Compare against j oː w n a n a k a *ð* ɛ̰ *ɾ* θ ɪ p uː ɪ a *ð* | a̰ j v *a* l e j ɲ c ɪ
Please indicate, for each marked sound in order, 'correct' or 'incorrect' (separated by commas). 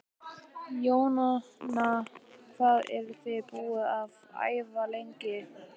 correct, correct, incorrect, correct